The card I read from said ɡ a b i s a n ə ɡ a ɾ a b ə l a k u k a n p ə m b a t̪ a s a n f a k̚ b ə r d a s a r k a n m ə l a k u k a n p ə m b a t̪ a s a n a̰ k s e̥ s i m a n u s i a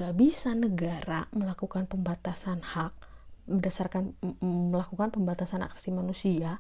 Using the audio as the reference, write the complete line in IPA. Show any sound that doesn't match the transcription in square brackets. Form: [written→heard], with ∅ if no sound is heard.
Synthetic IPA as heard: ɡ a b i s a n ə ɡ a ɾ a [b→m] ə l a k u k a n p ə m b a t̪ a s a n [f→h] a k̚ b ə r d a s a r k a n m ə l a k u k a n p ə m b a t̪ a s a n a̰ k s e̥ s i m a n u s i a